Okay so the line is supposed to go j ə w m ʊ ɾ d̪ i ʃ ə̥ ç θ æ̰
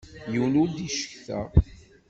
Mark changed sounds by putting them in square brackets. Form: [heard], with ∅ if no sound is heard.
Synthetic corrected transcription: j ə w [n] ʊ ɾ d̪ i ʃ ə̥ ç θ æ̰